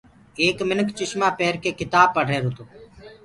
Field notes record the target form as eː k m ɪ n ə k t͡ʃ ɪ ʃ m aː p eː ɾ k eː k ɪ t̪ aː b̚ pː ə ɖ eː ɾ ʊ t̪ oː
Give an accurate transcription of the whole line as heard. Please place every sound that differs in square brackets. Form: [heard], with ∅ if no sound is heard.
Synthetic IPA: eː k m ɪ n ə k t͡ʃ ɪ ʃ m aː p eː ɾ k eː k ɪ t̪ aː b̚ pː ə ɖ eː ɾ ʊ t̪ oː